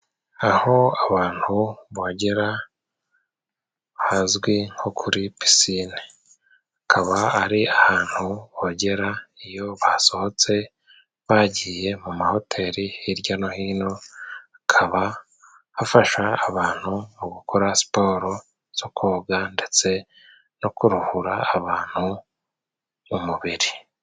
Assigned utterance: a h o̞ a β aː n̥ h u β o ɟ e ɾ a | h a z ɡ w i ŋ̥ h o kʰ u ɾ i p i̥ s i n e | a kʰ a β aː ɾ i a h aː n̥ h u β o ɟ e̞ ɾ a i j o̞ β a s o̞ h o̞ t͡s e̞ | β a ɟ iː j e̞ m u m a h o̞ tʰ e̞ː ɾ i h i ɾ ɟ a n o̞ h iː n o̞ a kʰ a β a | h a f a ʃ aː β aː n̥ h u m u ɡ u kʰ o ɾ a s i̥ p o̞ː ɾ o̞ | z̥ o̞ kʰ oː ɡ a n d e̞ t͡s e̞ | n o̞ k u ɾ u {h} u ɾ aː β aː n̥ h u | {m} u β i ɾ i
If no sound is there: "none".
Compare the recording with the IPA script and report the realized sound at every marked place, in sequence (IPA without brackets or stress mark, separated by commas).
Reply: h, m